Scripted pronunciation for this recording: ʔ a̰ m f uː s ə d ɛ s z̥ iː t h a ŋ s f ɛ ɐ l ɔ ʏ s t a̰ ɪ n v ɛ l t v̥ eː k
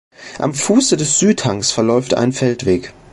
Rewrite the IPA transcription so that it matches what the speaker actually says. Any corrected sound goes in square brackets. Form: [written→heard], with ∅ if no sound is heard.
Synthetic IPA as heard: ʔ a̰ m f uː s ə d ɛ s z̥ [iː→yː] t h a ŋ s f ɛ ɐ l ɔ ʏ [s→f] t a̰ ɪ n [v→f] ɛ l t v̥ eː k